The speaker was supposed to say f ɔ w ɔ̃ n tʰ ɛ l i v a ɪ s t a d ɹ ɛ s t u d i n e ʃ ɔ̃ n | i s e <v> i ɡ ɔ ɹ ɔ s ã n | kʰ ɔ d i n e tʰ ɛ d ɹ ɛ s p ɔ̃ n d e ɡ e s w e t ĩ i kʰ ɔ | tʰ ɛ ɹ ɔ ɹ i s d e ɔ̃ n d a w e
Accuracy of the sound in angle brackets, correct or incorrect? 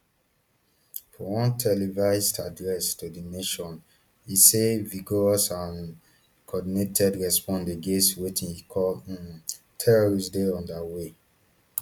correct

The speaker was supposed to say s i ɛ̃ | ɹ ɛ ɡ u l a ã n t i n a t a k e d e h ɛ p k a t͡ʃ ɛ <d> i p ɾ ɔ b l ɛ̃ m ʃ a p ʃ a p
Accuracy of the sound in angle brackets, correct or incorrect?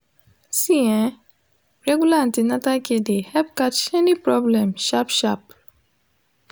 incorrect: n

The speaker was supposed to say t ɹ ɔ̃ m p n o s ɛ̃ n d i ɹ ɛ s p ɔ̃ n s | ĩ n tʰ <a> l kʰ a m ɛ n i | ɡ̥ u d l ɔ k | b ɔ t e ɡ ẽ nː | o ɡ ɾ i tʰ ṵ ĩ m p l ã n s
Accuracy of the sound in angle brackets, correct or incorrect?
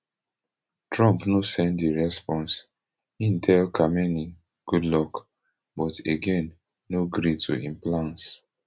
incorrect: ɛ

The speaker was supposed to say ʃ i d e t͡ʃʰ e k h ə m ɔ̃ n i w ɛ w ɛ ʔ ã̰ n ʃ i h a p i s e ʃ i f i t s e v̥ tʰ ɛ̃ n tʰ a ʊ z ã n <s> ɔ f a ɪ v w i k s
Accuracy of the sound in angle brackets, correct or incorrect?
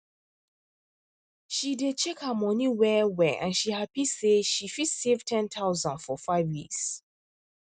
incorrect: f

